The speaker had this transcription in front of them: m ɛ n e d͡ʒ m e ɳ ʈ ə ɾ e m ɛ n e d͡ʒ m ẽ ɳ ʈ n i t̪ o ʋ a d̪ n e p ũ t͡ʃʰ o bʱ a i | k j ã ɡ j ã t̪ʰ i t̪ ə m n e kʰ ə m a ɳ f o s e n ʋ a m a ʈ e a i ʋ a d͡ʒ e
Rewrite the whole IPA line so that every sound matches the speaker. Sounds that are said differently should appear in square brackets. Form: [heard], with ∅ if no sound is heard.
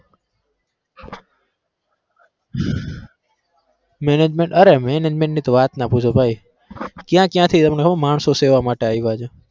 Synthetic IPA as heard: m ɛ n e d͡ʒ m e ɳ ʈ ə ɾ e m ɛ n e d͡ʒ m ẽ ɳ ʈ n i t̪ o ʋ a [t̪] n [a] p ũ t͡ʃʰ o bʱ a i | k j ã [k] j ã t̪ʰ i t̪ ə m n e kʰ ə m a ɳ [s] o s e [∅] ʋ a m a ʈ e a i ʋ a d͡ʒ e